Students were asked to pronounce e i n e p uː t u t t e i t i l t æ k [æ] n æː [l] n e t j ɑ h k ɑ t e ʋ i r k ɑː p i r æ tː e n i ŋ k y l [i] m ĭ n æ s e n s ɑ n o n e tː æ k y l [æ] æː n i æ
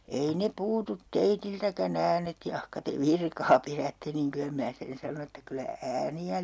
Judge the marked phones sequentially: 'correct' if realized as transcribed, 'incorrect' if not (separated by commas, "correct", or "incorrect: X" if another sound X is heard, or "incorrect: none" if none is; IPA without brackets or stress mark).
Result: correct, incorrect: none, incorrect: æ, correct